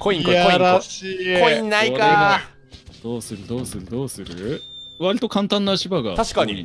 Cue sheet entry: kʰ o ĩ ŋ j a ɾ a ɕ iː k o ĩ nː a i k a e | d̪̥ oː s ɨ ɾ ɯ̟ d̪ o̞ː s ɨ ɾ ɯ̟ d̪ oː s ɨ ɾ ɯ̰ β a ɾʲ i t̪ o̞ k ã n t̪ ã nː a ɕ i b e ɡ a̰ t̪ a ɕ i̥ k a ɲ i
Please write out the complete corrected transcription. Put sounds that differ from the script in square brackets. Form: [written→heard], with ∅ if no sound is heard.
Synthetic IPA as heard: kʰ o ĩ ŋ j a ɾ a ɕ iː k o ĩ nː a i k a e | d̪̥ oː s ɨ ɾ ɯ̟ d̪ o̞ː s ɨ ɾ ɯ̟ d̪ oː s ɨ ɾ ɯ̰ β a ɾʲ i t̪ o̞ k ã n t̪ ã nː a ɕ i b [e→a] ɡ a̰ t̪ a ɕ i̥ k a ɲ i